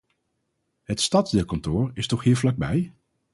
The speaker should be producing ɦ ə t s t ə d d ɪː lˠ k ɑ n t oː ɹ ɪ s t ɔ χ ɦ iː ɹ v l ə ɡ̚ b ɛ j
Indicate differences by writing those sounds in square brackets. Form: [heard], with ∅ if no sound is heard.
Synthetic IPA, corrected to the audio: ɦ ə t s t [ɑ] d d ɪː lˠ k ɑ n t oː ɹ ɪ s t ɔ χ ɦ iː ɹ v l [ɑ] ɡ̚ b ɛ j